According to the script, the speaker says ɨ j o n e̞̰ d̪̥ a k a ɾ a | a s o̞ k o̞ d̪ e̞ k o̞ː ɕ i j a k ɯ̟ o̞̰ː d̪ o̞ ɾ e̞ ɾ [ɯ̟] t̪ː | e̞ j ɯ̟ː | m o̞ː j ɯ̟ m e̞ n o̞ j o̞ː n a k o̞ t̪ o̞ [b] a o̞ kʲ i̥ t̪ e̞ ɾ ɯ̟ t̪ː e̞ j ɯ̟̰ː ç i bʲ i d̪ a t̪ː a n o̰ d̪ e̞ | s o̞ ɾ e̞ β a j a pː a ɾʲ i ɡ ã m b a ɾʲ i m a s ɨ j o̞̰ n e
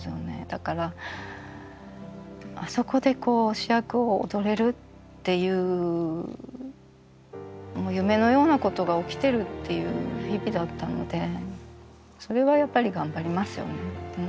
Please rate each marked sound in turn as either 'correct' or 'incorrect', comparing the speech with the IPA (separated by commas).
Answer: correct, incorrect